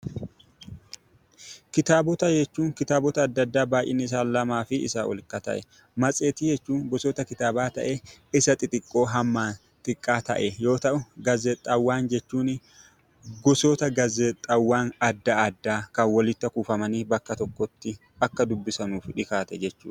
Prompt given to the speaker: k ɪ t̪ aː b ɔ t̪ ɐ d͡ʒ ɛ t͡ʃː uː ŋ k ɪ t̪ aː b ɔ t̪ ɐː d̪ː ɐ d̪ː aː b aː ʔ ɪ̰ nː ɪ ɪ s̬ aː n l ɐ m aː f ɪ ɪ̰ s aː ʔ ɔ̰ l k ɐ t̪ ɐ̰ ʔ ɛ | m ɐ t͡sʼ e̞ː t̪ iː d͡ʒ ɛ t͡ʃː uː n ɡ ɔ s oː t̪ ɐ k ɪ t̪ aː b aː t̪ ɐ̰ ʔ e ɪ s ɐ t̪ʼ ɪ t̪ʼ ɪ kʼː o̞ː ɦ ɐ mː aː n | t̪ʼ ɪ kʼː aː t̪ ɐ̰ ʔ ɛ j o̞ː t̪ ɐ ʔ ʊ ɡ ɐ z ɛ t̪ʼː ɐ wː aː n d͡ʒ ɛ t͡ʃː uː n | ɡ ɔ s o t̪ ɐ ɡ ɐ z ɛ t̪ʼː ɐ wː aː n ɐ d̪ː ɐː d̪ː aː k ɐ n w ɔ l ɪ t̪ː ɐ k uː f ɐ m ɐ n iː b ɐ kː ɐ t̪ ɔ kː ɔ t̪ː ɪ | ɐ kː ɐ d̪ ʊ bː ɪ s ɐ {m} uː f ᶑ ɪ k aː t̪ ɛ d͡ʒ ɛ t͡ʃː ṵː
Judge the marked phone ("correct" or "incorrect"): incorrect